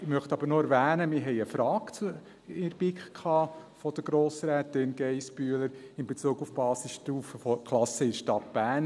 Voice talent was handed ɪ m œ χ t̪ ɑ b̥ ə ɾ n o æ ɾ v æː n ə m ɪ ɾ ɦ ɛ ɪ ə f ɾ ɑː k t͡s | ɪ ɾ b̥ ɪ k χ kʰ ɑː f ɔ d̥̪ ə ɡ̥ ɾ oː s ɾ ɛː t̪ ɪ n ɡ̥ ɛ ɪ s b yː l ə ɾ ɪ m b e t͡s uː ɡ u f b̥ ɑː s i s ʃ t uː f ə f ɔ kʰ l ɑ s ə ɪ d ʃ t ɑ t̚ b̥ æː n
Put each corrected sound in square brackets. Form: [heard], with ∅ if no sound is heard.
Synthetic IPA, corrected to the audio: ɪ m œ χ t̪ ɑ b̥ ə ɾ n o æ ɾ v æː n ə m ɪ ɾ ɦ ɛ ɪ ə f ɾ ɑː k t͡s | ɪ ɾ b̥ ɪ k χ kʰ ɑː f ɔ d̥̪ ə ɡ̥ ɾ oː s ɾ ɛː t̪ ɪ n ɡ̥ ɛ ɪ s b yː l ə ɾ ɪ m b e t͡s uː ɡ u f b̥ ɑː s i s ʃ t uː f ə f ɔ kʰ l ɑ s ə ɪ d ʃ t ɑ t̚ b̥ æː n